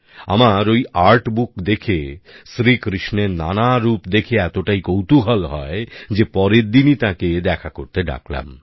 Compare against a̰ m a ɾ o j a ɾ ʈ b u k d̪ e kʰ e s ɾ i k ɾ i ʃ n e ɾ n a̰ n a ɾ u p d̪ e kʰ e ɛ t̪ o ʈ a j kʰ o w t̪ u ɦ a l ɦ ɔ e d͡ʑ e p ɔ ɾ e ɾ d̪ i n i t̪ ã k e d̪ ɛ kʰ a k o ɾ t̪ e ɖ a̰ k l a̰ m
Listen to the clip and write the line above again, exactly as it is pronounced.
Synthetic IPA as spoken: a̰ m a ɾ o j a ɾ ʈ b u k d̪ e kʰ e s ɾ i k ɾ i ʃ n e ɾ n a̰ n a ɾ u p d̪ e kʰ e ɛ t̪ o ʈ a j k o w t̪ u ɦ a l ɦ ɔ e d͡ʑ e p ɔ ɾ e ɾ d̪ i n i t̪ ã k e d̪ ɛ kʰ a k o ɾ t̪ e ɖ a̰ k l a̰ m